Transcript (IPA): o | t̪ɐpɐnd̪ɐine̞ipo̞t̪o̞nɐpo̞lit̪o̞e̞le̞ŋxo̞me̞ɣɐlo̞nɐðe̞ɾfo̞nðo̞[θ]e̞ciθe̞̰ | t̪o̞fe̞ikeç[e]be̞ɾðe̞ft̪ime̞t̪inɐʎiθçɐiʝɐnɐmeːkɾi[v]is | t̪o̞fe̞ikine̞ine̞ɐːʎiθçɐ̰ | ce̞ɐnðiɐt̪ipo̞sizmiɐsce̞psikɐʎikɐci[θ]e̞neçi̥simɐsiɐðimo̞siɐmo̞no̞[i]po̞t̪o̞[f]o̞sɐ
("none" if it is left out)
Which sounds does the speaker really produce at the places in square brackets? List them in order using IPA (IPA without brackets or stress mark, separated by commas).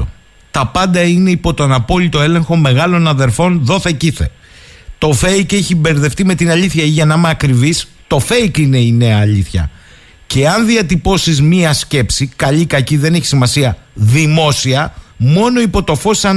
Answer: θ, i, v, ð, i, f